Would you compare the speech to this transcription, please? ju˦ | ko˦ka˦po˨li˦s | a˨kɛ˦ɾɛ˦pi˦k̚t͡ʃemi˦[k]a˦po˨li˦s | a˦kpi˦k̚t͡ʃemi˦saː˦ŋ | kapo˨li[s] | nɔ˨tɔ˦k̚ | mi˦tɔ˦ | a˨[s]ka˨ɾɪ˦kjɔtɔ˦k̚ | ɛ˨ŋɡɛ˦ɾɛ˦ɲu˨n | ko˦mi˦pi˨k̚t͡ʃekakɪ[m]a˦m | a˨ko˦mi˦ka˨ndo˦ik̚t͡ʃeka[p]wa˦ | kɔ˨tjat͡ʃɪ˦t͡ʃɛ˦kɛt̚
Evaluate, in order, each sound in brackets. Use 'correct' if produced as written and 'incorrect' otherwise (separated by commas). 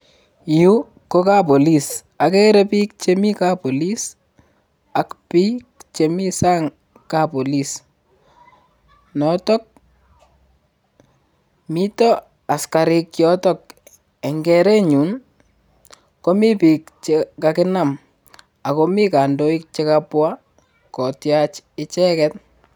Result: correct, correct, correct, incorrect, correct